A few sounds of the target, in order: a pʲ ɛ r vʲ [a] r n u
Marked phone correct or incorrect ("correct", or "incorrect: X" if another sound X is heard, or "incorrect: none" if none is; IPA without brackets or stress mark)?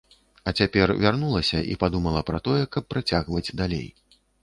correct